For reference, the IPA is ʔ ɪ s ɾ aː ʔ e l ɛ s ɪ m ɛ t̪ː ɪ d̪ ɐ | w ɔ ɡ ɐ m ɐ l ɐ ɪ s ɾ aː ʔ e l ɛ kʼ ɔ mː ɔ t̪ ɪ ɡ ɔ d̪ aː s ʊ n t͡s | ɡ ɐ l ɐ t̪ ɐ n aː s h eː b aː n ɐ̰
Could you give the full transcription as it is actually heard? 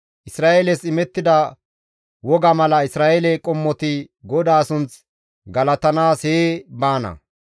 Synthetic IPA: ʔ ɪ s ɾ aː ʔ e l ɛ s ɪ m ɛ t̪ː ɪ d̪ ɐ | w ɔ ɡ ɐ m ɐ l ɐ ɪ s ɾ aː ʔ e l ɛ kʼ ɔ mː ɔ t̪ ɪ ɡ ɔ d̪ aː s ʊ n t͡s | ɡ ɐ l ɐ t̪ ɐ n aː s h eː b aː n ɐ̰